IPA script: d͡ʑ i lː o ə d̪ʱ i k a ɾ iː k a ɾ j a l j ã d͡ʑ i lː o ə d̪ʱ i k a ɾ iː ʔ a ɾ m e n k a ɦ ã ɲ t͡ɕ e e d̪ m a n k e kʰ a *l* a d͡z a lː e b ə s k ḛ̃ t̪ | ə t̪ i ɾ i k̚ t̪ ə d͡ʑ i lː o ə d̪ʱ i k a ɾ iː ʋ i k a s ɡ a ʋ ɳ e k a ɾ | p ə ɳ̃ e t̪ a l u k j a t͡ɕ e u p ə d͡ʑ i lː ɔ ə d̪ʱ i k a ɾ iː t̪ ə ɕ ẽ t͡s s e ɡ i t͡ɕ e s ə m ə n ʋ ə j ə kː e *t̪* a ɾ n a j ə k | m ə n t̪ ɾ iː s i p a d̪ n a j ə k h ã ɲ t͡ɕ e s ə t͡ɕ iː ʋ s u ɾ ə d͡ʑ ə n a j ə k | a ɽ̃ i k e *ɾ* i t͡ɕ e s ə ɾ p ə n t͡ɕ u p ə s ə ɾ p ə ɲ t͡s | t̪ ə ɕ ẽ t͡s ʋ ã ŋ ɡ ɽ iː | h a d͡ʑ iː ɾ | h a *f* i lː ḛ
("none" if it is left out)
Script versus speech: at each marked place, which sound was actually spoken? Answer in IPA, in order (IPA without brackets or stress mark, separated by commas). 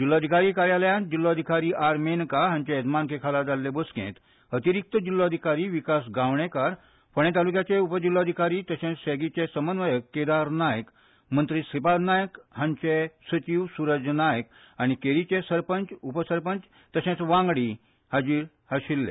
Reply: l, d̪, ɾ, ɕ